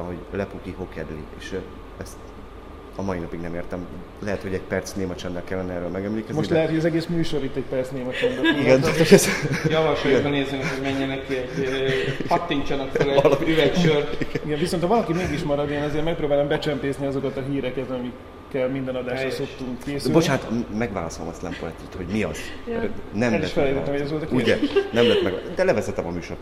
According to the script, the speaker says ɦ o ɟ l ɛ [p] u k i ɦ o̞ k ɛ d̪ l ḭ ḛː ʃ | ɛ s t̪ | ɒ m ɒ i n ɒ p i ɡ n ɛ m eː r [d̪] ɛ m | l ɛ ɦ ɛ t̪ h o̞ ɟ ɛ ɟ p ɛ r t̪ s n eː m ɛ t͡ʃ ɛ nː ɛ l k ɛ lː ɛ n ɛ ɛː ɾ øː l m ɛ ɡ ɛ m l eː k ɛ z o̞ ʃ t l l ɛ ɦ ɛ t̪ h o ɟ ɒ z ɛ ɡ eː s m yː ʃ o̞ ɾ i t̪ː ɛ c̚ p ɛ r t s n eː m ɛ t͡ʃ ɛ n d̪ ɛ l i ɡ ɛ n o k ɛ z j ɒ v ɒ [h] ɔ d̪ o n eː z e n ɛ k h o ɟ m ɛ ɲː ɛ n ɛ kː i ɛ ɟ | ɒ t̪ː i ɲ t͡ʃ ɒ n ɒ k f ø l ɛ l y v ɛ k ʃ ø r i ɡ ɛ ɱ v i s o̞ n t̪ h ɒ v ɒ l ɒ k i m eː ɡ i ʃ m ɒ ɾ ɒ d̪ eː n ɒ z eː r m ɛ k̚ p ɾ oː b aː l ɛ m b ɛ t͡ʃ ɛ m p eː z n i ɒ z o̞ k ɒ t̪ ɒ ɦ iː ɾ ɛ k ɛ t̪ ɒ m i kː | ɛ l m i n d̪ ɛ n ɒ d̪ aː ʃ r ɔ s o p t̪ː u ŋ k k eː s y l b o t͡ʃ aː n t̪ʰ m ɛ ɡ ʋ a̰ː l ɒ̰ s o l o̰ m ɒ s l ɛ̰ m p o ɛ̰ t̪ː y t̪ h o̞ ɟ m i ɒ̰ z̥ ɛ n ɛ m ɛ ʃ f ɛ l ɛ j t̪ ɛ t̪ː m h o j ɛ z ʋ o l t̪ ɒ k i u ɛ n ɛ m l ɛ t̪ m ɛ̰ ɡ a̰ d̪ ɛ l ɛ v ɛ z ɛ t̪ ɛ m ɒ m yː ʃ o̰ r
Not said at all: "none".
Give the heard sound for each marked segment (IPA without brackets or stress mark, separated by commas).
p, t̪, ʃ